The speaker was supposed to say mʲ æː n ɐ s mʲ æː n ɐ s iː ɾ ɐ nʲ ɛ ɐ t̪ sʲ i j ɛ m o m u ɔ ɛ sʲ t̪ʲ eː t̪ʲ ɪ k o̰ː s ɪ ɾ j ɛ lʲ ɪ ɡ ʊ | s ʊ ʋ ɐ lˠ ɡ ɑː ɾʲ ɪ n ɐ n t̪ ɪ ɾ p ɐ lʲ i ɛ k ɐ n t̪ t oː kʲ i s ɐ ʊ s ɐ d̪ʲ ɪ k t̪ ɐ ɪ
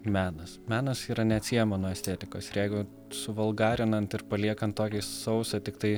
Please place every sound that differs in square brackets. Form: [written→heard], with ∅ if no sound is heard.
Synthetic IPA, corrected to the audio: mʲ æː n ɐ s mʲ æː n ɐ s iː ɾ ɐ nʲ ɛ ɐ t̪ sʲ i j ɛ m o [m→n] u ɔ ɛ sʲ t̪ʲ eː t̪ʲ ɪ k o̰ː s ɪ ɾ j ɛ [lʲ→∅] ɪ ɡ ʊ | s ʊ ʋ ɐ lˠ ɡ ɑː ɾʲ ɪ n ɐ n t̪ ɪ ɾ p ɐ lʲ i ɛ k ɐ n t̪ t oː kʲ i s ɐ ʊ s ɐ [d̪ʲ→t̪ʲ] ɪ k t̪ ɐ ɪ